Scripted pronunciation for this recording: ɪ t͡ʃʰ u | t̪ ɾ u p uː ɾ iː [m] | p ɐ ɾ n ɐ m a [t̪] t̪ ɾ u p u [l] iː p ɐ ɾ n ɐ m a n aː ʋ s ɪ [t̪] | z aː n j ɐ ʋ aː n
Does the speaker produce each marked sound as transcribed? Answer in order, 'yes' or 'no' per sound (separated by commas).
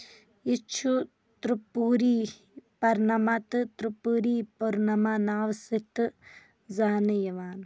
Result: no, yes, no, yes